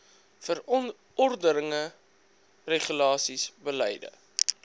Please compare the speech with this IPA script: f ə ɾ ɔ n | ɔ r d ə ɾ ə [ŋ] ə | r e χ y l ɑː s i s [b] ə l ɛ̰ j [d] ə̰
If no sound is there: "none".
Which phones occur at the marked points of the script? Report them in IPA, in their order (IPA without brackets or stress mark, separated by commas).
ŋ, b, d